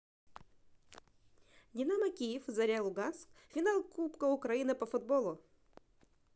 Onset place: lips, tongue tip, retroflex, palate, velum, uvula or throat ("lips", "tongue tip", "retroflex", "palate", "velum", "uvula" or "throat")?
tongue tip